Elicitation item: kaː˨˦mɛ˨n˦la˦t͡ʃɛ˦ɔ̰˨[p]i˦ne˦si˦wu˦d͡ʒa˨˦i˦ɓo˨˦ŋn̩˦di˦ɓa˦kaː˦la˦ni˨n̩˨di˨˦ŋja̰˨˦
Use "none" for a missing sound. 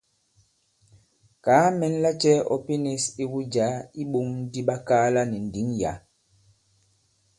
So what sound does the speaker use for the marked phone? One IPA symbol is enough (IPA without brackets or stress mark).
p